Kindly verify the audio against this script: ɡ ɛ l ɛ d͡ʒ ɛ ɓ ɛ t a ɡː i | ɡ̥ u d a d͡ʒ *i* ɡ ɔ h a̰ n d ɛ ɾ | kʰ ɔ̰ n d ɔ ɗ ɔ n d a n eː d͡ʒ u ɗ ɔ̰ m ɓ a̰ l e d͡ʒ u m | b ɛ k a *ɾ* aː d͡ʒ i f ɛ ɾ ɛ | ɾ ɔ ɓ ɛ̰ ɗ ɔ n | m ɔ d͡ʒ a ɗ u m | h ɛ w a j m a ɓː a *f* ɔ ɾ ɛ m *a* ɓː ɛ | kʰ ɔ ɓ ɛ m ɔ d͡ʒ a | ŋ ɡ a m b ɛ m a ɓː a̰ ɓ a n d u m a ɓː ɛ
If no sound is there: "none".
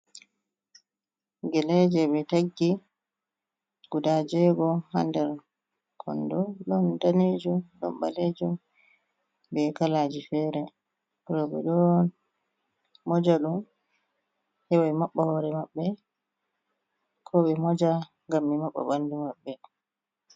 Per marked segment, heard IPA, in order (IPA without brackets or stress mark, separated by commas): ɛ, l, h, a